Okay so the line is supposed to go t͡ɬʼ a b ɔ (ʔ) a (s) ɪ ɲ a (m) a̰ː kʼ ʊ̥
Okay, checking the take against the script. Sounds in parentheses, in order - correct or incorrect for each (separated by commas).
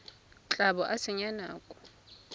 correct, correct, incorrect